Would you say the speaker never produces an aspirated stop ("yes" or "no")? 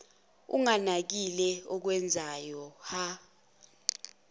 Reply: yes